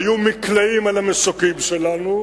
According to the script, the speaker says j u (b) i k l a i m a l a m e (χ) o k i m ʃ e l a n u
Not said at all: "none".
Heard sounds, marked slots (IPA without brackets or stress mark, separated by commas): m, s